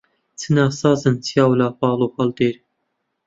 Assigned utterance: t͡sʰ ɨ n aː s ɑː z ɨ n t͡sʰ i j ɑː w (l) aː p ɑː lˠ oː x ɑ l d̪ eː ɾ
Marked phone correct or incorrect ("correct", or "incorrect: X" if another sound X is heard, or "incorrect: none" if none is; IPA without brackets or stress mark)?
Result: correct